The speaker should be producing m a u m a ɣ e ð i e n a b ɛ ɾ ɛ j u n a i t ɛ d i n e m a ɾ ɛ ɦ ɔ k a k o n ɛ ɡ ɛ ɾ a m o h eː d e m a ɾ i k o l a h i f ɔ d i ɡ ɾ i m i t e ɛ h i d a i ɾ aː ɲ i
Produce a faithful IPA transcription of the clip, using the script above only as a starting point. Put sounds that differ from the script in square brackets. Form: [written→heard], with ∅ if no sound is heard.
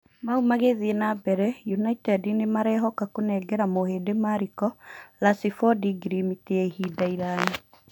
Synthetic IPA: m a u m a ɣ e ð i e n a b ɛ ɾ ɛ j u n a i t ɛ d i n e m a ɾ ɛ ɦ ɔ k a k o n ɛ ɡ ɛ ɾ a m o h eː d e m a ɾ i k [o→ɔ] l a [h→s] i f ɔ d i ɡ ɾ i m i t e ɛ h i d a i ɾ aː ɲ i

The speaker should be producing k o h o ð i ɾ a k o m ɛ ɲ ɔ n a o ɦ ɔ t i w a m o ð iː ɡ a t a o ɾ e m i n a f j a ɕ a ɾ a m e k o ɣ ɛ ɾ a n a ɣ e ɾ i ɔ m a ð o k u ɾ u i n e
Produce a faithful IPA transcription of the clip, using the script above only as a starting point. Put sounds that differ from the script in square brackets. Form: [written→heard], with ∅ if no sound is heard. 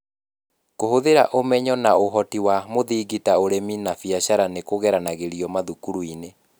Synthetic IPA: k o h o ð [i→e] ɾ a [k→ʔ] o m ɛ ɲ ɔ n a o ɦ ɔ t i w a m o ð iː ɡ [a→i] t a o ɾ e m i n a f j a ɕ a ɾ a [m→n] e k o ɣ ɛ ɾ a n a ɣ e ɾ i ɔ m a ð [o→u] k u ɾ u i n e

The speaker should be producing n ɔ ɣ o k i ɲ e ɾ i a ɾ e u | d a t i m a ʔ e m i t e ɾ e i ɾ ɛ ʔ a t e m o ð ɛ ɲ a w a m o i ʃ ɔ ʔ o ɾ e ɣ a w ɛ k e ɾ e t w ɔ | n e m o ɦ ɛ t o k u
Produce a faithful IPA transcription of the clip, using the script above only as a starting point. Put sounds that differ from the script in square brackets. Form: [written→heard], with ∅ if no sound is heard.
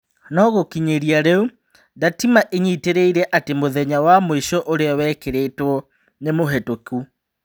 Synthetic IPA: n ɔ ɣ o k i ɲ e ɾ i a ɾ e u | d a t i m a ʔ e [m→ɲ] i t e ɾ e i ɾ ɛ ʔ a t e m o ð ɛ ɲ a w a m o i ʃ ɔ ʔ o ɾ e [ɣ→∅] a w ɛ k e ɾ e t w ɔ | n e m o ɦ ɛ t o k u

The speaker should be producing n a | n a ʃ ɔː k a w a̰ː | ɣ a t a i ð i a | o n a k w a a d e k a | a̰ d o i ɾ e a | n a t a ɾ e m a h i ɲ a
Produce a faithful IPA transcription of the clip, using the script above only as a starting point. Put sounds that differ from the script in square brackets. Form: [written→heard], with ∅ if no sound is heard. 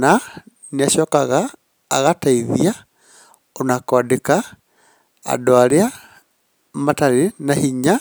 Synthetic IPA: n a | n a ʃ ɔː k a [w→ɣ] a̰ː | ɣ a t a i ð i a | o n a k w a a d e k a | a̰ d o [i→a] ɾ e a | [n→m] a t a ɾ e [m→n] a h i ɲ a

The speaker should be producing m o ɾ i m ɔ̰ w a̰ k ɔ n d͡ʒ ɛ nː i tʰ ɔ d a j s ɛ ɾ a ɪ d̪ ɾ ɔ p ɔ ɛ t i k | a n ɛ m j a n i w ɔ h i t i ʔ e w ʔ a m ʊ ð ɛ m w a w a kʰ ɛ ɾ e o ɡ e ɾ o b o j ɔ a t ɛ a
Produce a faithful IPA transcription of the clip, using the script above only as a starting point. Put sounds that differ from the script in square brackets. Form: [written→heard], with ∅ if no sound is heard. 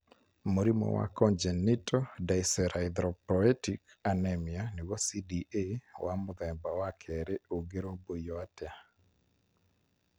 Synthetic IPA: m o ɾ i m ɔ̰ w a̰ k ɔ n d͡ʒ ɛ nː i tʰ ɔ d a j s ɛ ɾ a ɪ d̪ ɾ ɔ p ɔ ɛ t i k | a n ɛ m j a n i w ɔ [h→s] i [t→d] i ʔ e w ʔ a m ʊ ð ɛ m [w→b] a w a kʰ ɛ ɾ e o ɡ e ɾ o b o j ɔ a t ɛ a

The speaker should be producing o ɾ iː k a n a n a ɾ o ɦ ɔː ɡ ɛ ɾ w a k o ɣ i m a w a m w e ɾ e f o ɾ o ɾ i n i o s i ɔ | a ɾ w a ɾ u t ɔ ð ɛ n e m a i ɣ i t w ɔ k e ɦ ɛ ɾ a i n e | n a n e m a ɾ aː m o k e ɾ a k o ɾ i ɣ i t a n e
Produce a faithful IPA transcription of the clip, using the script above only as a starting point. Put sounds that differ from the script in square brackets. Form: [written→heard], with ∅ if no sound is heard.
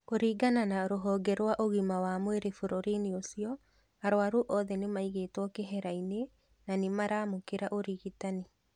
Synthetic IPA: o ɾ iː [k→ɡ] a n a n a ɾ o ɦ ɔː ɡ ɛ ɾ w a [k→ʔ] o ɣ i m a w a m w e ɾ e f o ɾ o ɾ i n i o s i ɔ | a ɾ w a ɾ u [t→ʔ] ɔ ð ɛ n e m a i ɣ [i→e] t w ɔ k e ɦ ɛ ɾ a i n e | n a n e m a ɾ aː m o k e ɾ a [k→ʔ] o ɾ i ɣ i t a n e

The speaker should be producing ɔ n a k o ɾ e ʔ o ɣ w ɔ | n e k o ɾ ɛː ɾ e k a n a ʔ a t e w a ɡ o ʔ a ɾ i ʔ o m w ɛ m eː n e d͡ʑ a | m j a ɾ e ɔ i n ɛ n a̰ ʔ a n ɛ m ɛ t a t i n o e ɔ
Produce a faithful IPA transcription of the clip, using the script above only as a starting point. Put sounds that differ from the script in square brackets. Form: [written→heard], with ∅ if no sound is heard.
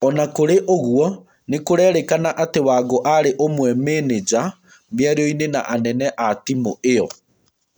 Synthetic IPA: ɔ n a k o ɾ e ʔ o ɣ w ɔ | n e k o ɾ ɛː ɾ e k a n a ʔ a t e w a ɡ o ʔ a ɾ [i→e] ʔ o m w ɛ m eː n e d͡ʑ a | m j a ɾ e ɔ i n [ɛ→e] n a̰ ʔ a n ɛ [m→n] ɛ [t→ʔ] a t i [n→m] o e ɔ

